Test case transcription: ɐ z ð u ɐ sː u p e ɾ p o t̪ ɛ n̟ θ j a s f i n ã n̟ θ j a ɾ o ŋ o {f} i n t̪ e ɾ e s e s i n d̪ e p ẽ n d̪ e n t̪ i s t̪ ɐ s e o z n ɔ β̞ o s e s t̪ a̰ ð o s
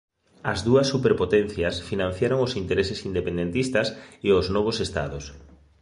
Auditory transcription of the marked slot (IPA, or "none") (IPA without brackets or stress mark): s